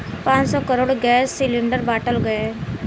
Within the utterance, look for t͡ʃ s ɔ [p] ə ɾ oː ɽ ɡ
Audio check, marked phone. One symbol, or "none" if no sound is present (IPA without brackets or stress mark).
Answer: k